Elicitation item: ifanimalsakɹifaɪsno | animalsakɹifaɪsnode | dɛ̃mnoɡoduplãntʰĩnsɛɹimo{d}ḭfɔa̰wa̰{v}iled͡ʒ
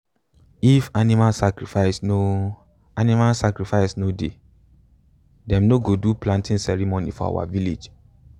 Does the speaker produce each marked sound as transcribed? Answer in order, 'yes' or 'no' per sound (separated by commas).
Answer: no, yes